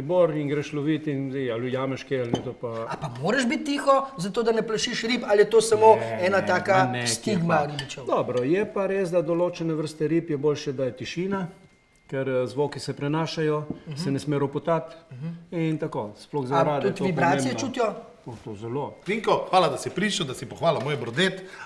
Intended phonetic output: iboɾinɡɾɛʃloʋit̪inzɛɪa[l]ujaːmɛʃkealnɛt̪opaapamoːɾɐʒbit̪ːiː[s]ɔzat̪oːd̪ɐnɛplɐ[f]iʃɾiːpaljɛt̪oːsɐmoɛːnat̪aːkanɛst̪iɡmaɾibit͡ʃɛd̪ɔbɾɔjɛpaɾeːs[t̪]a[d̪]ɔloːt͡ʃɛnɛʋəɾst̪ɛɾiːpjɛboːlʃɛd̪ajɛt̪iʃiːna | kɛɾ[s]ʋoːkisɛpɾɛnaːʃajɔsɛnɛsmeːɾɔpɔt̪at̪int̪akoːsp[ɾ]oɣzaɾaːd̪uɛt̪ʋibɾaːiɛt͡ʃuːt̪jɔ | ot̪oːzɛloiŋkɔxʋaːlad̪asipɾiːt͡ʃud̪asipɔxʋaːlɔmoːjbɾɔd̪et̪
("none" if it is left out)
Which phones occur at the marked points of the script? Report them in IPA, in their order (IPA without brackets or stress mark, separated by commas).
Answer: l, x, ʃ, d̪, d̪, z, l